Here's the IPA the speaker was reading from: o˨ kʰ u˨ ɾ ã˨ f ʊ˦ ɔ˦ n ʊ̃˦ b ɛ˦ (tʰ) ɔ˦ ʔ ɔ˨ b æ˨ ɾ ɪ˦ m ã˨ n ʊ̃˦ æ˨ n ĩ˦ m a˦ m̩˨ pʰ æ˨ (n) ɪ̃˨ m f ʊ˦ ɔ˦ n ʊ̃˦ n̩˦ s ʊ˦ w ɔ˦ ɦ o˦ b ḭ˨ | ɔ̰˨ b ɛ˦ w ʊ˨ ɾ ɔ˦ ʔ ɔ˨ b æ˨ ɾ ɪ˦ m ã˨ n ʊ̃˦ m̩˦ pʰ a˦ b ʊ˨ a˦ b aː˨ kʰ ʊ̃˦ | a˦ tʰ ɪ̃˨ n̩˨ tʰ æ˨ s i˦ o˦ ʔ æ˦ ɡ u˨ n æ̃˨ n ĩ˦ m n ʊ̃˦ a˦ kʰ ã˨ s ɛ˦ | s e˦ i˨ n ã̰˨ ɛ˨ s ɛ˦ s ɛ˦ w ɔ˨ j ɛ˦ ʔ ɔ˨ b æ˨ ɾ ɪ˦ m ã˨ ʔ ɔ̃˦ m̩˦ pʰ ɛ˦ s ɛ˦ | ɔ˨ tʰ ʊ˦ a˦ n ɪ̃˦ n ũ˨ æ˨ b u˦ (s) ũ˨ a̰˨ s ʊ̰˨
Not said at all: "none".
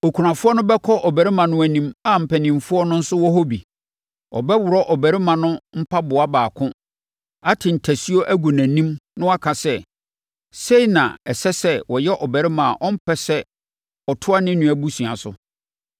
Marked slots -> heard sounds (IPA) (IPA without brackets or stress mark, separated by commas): kʰ, n, s